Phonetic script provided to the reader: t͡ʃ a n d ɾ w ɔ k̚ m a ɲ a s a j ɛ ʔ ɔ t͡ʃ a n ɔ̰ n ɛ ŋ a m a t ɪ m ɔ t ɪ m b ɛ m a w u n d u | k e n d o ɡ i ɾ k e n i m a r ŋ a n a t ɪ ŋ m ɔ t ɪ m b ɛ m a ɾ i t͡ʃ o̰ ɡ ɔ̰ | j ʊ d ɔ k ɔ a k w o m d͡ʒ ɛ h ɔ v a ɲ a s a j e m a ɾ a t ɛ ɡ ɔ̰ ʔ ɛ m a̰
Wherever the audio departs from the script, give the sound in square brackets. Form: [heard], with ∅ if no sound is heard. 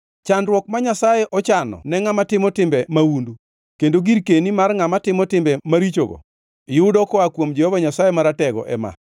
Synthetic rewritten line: t͡ʃ a n d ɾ w ɔ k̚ m a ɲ a s a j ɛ ʔ ɔ t͡ʃ a n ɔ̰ n ɛ ŋ a m a t ɪ m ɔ t ɪ m b ɛ m a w u n d u | k e n d o ɡ i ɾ k e n i m a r ŋ a [m] a t ɪ [∅] m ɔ t ɪ m b ɛ m a ɾ i t͡ʃ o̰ ɡ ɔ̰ | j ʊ d ɔ k ɔ a k w o m d͡ʒ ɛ h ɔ v a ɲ a s a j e m a ɾ a t ɛ ɡ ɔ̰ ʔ ɛ m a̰